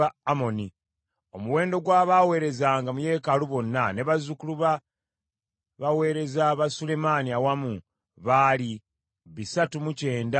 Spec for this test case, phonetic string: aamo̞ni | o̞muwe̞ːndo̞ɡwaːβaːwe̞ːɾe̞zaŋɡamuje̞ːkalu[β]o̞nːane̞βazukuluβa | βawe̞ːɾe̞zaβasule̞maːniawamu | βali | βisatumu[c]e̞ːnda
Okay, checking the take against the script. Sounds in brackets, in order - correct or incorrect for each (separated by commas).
correct, correct